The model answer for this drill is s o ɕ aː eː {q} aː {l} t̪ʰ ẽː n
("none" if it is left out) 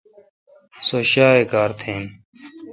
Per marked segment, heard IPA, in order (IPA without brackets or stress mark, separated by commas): k, ɾ